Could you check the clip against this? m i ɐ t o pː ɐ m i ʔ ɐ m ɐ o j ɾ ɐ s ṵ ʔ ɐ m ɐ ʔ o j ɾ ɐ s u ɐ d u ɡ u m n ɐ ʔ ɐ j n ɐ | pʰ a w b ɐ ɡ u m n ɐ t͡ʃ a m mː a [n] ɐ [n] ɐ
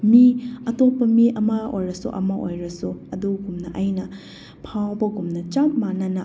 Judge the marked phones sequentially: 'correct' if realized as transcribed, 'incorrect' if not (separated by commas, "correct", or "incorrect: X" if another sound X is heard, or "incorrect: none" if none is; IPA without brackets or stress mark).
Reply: correct, correct